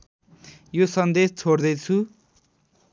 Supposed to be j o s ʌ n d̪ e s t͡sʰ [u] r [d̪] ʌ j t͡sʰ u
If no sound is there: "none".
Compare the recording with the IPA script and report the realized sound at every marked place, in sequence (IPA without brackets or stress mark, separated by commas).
o, d̪